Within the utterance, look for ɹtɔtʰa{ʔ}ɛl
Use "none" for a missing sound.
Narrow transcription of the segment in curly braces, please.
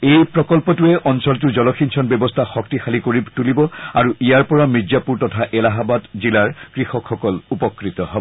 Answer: ʔ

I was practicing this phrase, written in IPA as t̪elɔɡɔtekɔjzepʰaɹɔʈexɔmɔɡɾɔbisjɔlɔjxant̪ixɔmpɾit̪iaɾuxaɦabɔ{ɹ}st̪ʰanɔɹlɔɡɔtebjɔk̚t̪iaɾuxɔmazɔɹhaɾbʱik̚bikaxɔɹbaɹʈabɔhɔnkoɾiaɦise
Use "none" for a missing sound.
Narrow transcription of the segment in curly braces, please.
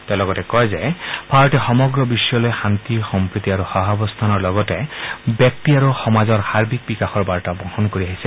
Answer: none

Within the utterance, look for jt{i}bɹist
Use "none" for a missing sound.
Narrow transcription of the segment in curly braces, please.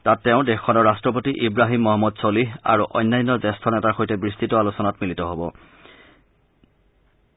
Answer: ɛ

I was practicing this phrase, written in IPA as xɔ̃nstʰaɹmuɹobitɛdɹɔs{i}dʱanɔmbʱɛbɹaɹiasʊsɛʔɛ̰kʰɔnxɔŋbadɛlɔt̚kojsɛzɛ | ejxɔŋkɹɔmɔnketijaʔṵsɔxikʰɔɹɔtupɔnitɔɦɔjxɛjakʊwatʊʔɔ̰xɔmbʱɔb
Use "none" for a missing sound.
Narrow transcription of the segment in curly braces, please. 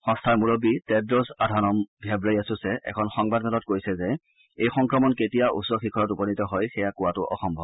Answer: a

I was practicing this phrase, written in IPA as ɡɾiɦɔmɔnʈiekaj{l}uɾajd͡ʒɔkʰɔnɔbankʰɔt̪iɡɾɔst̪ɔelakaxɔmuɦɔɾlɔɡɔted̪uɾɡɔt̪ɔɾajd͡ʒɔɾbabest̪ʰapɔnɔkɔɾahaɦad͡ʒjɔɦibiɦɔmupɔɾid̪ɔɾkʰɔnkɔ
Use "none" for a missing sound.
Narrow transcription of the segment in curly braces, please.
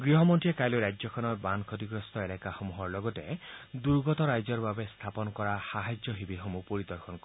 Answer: l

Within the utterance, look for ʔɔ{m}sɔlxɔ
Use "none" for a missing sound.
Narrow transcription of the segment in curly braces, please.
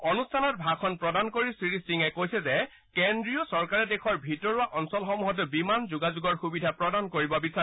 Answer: n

